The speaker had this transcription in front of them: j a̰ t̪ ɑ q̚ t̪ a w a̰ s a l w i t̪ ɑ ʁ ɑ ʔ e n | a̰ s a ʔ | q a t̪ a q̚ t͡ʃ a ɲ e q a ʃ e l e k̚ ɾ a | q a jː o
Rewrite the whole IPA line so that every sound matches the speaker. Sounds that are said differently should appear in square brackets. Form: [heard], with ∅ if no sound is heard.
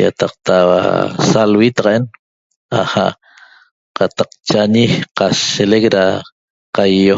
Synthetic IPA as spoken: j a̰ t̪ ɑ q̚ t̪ a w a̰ s a l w i t̪ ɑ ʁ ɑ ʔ e n | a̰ [h] a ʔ | q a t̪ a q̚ t͡ʃ a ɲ [i] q a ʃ e l e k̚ ɾ a | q a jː o